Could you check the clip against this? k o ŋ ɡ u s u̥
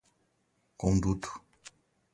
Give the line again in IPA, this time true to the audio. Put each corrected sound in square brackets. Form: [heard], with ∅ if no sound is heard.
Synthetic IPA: k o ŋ [d] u [t] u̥